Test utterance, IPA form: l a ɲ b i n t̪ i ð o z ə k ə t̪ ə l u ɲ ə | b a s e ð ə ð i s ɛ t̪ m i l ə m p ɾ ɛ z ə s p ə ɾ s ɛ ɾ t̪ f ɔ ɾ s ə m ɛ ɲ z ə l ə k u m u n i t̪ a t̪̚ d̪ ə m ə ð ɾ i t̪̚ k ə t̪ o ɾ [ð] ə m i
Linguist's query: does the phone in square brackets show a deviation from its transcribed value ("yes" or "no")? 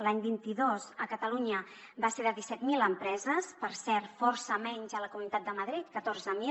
yes